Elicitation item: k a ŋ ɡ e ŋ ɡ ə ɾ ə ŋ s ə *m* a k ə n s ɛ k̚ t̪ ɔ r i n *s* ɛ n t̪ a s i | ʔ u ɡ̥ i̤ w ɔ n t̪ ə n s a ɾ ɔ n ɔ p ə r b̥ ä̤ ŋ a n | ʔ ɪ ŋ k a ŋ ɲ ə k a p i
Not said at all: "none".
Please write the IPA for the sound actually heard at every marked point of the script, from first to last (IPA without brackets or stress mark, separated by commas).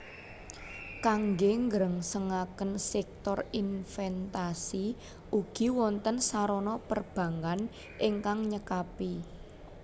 ŋ, f